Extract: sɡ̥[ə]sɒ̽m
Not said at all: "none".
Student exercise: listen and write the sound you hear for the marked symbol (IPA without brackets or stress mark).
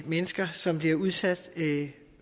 ɐ